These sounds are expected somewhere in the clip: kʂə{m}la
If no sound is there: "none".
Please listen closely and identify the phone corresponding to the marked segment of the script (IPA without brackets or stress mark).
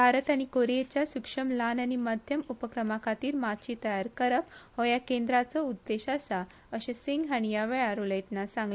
m